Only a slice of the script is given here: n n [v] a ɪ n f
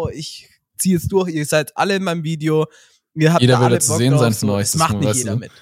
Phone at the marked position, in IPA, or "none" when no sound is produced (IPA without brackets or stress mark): z